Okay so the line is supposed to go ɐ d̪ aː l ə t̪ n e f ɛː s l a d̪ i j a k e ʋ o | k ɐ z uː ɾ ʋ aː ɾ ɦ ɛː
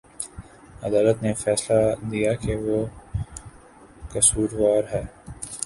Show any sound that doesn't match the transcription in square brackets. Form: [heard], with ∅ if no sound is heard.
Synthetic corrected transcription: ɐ d̪ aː l ə t̪ n e f ɛː s l a d̪ i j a k e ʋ o | k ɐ [s] uː ɾ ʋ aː ɾ ɦ ɛː